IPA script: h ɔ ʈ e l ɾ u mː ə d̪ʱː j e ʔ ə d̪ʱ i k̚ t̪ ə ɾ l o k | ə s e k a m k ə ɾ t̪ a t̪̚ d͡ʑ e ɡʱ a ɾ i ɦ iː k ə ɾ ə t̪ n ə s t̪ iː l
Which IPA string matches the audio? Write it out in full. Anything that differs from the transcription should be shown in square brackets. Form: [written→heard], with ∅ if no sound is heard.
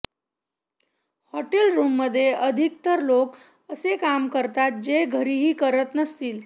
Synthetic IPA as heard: h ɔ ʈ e l ɾ u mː ə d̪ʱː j e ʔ ə d̪ʱ i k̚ t̪ ə ɾ l o k | ə s e k a m k ə ɾ t̪ a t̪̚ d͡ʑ e ɡʱ [a→ə] ɾ i ɦ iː k ə ɾ ə t̪ n ə s t̪ iː l

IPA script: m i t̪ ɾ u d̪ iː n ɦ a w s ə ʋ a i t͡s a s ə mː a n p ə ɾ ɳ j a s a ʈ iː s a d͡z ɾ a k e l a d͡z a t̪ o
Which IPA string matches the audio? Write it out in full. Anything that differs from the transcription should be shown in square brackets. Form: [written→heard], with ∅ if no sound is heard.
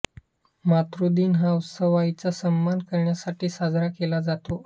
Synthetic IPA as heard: m [i→a] t̪ ɾ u d̪ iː n ɦ a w s ə ʋ a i t͡s a s ə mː a n [p→k] ə ɾ ɳ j a s a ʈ iː s a d͡z ɾ a k e l a d͡z a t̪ o

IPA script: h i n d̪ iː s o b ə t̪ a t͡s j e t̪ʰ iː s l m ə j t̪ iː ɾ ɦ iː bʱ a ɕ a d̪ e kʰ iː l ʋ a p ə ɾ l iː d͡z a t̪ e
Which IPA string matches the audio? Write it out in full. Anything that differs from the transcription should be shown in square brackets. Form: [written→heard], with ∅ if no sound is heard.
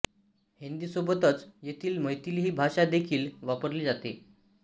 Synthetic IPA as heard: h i n d̪ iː s o b ə t̪ [a→ə] t͡s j e t̪ʰ iː [s→∅] l m ə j t̪ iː [ɾ→l] ɦ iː bʱ a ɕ a d̪ e kʰ iː l ʋ a p ə ɾ l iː d͡z a t̪ e

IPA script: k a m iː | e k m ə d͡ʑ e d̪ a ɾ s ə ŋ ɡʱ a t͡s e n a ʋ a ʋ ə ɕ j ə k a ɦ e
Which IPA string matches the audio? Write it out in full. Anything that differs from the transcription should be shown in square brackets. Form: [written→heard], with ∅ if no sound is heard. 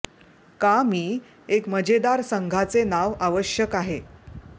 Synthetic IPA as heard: k a m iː | e k m ə d͡ʑ e d̪ a ɾ s ə ŋ ɡʱ a t͡s e n a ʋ a ʋ ə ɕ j ə k a ɦ e

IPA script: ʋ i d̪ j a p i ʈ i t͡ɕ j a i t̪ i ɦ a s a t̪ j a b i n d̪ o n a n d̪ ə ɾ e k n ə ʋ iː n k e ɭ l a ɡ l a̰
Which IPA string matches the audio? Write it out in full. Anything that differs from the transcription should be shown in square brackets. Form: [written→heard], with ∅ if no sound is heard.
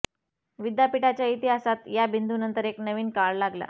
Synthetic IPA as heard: ʋ i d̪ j a p i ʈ [i→a] t͡ɕ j a i t̪ i ɦ a s a t̪ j a b i n d̪ [o→u] n [a→ə] n [d̪→t̪] ə ɾ e k n ə ʋ iː n k [e→a] ɭ l a ɡ l a̰

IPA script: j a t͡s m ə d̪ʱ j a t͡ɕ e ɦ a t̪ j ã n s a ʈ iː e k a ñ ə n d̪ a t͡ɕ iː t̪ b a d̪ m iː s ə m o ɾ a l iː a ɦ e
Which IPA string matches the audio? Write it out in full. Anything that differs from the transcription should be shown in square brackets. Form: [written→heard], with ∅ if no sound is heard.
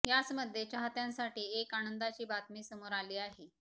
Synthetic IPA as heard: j a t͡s m ə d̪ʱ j [a→e] t͡ɕ [e→a] ɦ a t̪ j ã n s a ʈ iː e k a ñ ə n d̪ a t͡ɕ iː [t̪→∅] b a [d̪→t̪] m iː s ə m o ɾ a l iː a ɦ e

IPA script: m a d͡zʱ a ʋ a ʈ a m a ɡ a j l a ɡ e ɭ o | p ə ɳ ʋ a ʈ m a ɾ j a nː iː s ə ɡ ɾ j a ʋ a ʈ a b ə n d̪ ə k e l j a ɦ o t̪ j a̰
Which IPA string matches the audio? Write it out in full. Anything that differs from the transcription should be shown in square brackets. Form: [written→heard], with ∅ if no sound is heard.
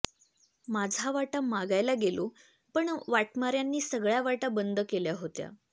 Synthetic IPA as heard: m a d͡zʱ a ʋ a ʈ a m a ɡ a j l a ɡ e [ɭ→l] o | p ə ɳ ʋ a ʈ m a ɾ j a nː iː s ə ɡ [ɾ→ɭ] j a ʋ a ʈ a b ə n d̪ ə k e l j a ɦ o t̪ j a̰

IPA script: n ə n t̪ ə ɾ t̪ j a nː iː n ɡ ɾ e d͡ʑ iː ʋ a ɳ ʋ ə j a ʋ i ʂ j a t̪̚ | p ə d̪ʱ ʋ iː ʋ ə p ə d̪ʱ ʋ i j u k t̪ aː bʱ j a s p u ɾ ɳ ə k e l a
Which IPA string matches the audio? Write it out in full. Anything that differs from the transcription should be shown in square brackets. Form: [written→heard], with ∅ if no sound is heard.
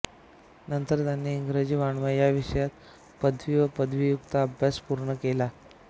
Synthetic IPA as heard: n ə n t̪ ə ɾ t̪ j a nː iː [n→ŋ] ɡ ɾ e d͡ʑ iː ʋ a ɳ ʋ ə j a ʋ i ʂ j a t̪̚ | p ə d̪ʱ ʋ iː ʋ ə p ə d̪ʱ ʋ i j u k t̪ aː bʱ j a s p u ɾ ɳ ə k e l a

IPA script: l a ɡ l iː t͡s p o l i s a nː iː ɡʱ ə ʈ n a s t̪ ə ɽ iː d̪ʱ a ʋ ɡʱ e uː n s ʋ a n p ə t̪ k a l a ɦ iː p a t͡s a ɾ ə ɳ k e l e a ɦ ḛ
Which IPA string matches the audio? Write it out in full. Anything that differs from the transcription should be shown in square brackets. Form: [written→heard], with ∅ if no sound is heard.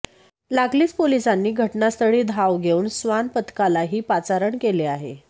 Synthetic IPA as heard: l a ɡ l iː t͡s p o l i s a nː iː ɡʱ ə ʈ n a s t̪ ə ɽ iː d̪ʱ a ʋ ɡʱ e uː n s ʋ a n p ə t̪ k a l a ɦ iː p a t͡s a ɾ ə ɳ k e l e a ɦ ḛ

